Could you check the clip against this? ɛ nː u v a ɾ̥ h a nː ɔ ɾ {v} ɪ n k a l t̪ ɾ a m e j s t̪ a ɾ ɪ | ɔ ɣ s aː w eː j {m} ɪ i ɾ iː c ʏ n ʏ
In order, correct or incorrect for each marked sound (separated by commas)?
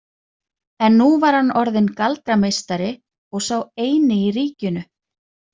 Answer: incorrect, incorrect